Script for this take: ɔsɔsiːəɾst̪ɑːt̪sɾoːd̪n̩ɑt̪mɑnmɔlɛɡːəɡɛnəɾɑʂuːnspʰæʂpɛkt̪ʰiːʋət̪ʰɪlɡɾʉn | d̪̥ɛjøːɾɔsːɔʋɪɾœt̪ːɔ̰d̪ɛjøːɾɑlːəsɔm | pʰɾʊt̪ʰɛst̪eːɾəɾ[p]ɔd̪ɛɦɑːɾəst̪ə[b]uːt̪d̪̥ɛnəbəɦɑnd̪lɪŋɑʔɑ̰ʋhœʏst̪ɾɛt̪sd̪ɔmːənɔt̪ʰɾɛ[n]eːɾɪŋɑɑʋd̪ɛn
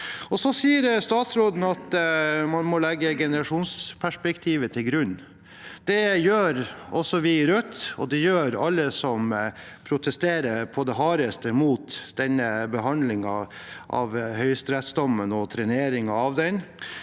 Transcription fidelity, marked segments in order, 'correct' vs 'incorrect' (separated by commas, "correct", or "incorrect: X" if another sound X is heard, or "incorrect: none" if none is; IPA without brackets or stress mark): incorrect: pʰ, incorrect: m, correct